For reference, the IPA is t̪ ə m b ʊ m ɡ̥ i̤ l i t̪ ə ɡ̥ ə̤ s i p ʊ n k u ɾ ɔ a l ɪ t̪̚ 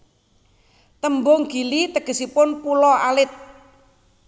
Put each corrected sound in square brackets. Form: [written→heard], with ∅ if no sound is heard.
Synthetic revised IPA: t̪ ə m b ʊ [m→ŋ] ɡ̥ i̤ l i t̪ ə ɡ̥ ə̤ s i p ʊ n [k→p] u [ɾ→l] ɔ a l ɪ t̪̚